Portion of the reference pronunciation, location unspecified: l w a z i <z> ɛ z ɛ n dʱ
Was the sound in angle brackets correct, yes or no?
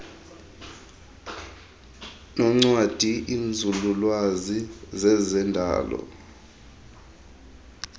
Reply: yes